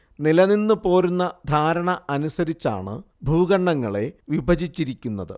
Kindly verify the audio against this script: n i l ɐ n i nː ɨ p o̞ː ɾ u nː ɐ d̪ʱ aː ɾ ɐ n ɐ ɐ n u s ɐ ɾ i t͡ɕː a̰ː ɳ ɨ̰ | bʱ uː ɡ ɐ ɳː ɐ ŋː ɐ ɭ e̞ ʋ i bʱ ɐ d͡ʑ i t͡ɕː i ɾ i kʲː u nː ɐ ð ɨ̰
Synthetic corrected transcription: n i l ɐ n i nː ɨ p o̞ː ɾ u nː ɐ d̪ʱ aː ɾ ɐ ɳ ɐ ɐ n u s ɐ ɾ i t͡ɕː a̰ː ɳ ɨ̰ | bʱ uː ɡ ɐ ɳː ɐ ŋː ɐ ɭ e̞ ʋ i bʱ ɐ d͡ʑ i t͡ɕː i ɾ i kʲː u nː ɐ ð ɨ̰